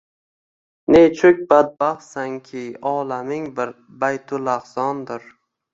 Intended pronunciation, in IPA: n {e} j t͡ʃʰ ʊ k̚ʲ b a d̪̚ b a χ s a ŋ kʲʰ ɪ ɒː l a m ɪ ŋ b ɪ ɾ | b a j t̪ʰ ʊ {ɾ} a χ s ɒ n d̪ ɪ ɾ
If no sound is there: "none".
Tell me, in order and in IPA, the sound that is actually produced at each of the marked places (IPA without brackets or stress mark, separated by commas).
e, l